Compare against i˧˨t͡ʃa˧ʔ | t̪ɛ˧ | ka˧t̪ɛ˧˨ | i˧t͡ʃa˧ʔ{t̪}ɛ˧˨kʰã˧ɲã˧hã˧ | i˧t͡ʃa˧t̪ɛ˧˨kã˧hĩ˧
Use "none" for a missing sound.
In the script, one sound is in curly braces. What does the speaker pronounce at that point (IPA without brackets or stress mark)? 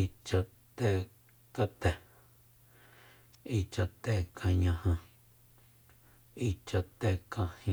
t̪